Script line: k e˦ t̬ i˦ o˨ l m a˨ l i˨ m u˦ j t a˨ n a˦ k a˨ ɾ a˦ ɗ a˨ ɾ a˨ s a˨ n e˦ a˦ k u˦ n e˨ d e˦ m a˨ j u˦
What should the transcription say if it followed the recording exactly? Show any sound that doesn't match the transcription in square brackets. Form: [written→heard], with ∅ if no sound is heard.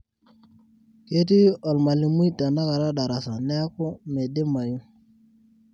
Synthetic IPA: k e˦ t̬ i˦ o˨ l m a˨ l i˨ m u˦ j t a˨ n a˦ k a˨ ɾ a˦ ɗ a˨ ɾ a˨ s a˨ n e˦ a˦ k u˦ [n→m] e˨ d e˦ m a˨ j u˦